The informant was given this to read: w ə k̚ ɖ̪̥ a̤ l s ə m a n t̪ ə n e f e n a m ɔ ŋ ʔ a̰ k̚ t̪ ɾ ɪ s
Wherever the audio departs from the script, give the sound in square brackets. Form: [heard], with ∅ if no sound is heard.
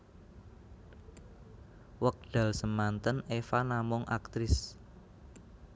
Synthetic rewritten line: w ə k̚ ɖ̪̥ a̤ l s ə m a n t̪ ə n e f [a] n a m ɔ ŋ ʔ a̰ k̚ t̪ ɾ ɪ s